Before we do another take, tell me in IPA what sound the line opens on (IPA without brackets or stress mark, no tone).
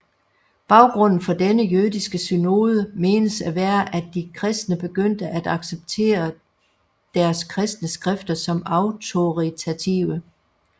b̥